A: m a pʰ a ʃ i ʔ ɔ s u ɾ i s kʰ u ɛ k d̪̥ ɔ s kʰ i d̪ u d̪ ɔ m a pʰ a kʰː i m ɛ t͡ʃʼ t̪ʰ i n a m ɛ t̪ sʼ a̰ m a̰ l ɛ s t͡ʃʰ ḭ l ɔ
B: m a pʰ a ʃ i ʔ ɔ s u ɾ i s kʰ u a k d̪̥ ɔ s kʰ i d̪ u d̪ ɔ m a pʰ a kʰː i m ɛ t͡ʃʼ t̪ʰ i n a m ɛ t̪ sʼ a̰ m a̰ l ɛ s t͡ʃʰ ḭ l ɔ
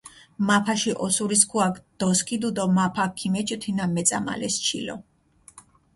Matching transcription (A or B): B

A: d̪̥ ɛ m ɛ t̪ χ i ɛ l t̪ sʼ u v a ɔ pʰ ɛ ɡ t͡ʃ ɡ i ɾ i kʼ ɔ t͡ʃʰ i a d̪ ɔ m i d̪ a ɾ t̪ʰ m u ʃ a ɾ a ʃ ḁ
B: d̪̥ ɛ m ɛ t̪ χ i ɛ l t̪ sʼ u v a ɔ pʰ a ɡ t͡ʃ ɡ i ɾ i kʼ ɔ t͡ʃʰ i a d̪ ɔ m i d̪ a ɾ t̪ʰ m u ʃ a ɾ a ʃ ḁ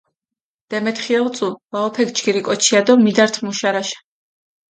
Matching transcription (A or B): A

